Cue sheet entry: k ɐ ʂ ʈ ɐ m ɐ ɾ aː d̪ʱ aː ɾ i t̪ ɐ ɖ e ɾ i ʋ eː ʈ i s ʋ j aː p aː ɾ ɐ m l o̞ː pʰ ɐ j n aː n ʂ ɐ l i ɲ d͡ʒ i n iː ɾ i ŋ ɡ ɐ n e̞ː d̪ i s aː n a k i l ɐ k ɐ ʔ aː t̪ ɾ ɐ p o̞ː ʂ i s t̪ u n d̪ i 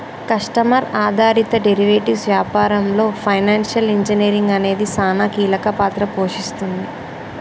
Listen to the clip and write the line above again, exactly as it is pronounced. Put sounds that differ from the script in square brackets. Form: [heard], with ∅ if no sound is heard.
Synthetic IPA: k ɐ ʂ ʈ ɐ m ɐ ɾ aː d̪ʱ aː ɾ i t̪ ɐ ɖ e ɾ i ʋ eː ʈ i s ʋ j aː p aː ɾ ɐ m l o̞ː pʰ ɐ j n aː n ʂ ɐ l i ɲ d͡ʒ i n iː ɾ i ŋ ɡ ɐ n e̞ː d̪ i s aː n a k [iː] l ɐ k ɐ [p] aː t̪ ɾ ɐ p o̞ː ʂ i s t̪ u n d̪ i

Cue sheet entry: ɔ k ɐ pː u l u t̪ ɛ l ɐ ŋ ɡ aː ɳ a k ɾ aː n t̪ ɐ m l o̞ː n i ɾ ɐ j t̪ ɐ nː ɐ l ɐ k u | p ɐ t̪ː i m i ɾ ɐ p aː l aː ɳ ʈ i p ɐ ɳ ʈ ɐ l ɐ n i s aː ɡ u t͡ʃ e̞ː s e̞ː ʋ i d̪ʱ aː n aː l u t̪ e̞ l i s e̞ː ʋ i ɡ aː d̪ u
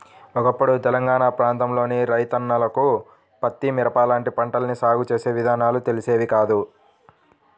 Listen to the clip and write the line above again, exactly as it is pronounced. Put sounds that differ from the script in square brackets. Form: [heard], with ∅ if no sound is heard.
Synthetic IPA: ɔ k ɐ pː u [ɽ] u t̪ ɛ l ɐ ŋ ɡ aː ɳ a [p] ɾ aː n t̪ ɐ m l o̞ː n i ɾ ɐ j t̪ ɐ nː ɐ l ɐ k u | p ɐ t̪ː i m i ɾ ɐ p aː l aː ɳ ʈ i p ɐ ɳ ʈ ɐ l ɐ n i s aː ɡ u t͡ʃ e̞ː s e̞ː ʋ i d̪ʱ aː n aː l u t̪ e̞ l i s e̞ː ʋ i [k] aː d̪ u

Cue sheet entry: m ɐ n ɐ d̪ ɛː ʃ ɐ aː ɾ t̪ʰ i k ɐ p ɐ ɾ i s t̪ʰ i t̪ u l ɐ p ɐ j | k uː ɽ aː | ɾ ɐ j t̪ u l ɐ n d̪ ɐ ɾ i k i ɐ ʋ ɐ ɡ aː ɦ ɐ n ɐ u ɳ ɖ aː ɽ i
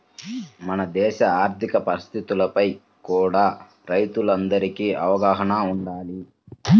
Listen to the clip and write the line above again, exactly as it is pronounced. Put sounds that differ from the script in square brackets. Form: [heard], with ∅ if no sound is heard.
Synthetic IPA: m ɐ n ɐ d̪ ɛː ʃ ɐ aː ɾ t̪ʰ i k ɐ p ɐ ɾ i s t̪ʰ i t̪ u l ɐ p ɐ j | k uː ɽ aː | ɾ ɐ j t̪ u l ɐ n d̪ ɐ ɾ i k i ɐ ʋ ɐ ɡ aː ɦ ɐ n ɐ u ɳ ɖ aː [l] i

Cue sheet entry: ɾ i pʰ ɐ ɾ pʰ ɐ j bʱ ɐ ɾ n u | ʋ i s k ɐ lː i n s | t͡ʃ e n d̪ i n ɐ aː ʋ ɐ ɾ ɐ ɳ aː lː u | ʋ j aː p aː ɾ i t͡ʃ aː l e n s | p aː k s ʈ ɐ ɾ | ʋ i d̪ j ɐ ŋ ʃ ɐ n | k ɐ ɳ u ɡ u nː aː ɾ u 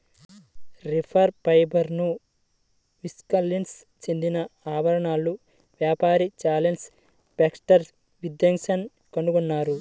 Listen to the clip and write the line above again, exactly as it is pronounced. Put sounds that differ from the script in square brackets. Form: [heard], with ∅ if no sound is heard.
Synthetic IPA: ɾ i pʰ ɐ ɾ [p] ɐ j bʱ ɐ ɾ n u | ʋ i s k ɐ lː i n s | t͡ʃ e n d̪ i n ɐ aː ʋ ɐ ɾ ɐ ɳ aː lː u | ʋ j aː p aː ɾ i t͡ʃ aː l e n s | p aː k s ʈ ɐ ɾ | ʋ i d̪ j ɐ ŋ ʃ ɐ n | k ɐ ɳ u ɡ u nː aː ɾ u

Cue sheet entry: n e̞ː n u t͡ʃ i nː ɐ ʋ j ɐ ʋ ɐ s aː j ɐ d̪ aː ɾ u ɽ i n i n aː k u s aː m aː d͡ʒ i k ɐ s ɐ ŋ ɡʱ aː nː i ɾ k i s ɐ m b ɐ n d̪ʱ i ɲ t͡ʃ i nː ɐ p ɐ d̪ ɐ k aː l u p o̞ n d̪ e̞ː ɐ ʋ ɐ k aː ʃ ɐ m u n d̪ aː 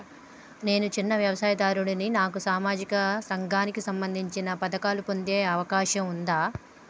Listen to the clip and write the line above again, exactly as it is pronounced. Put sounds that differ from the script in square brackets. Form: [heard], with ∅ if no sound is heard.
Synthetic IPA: n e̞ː n u t͡ʃ i nː ɐ ʋ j ɐ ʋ ɐ s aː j ɐ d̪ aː ɾ u ɽ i n i n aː k u s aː m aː d͡ʒ i k ɐ s ɐ ŋ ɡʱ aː [n] i [∅] k i s ɐ m b ɐ n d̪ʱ i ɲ t͡ʃ i [n] ɐ p ɐ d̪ ɐ k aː l u p o̞ n d̪ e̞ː ɐ ʋ ɐ k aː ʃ ɐ m u n d̪ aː

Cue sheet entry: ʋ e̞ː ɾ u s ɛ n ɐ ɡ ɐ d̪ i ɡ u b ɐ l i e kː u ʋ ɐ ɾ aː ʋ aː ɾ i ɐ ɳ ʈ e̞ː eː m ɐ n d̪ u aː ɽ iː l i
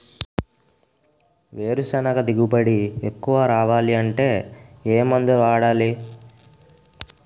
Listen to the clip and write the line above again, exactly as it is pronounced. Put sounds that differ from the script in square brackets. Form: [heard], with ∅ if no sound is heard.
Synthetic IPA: ʋ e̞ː ɾ u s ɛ n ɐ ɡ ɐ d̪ i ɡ u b ɐ [ɽ] i e kː u ʋ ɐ ɾ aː ʋ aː [l] i ɐ ɳ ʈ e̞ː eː m ɐ n d̪ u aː ɽ [aː] l i

